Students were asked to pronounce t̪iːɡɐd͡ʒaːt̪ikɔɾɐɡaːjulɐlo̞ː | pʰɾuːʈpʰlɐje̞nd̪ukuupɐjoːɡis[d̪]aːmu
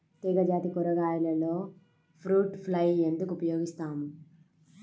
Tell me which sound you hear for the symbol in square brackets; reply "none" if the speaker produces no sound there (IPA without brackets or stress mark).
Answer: t̪